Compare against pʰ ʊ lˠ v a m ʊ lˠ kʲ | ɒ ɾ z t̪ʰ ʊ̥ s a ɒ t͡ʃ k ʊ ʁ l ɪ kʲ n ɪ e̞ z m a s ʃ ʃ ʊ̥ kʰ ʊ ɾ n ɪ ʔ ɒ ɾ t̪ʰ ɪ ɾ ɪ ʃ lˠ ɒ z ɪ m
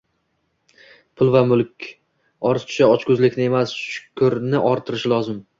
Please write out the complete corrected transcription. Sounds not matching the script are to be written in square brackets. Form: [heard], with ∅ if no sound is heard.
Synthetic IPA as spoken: pʰ ʊ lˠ v a m ʊ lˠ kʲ | ɒ ɾ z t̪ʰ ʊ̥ [ʃ] a ɒ t͡ʃ k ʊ [z] l ɪ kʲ n ɪ e̞ [∅] m a s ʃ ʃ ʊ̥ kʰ ʊ ɾ n ɪ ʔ ɒ ɾ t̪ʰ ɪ ɾ ɪ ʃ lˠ ɒ z ɪ m